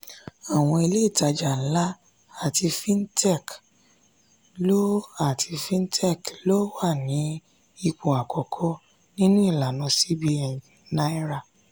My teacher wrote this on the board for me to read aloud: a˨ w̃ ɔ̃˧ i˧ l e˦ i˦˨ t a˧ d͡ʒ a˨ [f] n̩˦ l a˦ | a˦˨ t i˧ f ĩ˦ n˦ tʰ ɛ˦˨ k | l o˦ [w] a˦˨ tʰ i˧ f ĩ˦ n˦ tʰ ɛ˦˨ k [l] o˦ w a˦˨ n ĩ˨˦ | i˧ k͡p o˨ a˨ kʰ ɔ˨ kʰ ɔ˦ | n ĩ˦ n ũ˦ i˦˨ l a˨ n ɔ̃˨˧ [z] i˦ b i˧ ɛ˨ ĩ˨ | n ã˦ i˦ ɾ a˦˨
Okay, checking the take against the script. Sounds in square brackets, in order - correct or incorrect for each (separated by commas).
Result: incorrect, incorrect, correct, incorrect